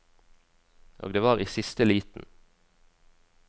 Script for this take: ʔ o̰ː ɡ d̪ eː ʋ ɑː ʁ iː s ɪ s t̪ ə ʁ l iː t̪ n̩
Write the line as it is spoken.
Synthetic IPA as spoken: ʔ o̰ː ɡ d̪ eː ʋ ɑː ʁ iː s ɪ s t̪ ə l iː t̪ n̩